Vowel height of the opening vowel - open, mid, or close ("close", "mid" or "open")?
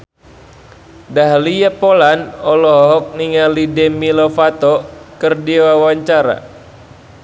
open